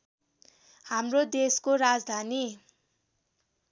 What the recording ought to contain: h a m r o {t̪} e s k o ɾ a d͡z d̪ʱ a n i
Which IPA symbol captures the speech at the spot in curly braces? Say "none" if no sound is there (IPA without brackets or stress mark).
d̪